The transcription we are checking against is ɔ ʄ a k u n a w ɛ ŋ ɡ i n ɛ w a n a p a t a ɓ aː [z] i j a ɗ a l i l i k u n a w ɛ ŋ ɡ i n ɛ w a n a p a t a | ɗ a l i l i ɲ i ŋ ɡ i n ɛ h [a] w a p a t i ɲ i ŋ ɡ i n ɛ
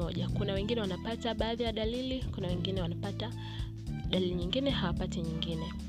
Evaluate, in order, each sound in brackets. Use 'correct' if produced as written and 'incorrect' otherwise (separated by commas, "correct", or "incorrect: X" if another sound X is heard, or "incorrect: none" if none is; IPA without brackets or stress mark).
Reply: incorrect: ð, correct